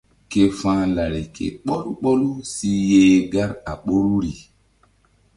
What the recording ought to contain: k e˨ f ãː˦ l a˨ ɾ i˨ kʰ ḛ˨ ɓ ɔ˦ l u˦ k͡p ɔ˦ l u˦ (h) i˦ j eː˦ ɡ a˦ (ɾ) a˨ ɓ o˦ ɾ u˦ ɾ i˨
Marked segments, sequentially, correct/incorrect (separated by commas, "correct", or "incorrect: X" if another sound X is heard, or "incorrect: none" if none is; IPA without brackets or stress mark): incorrect: s, correct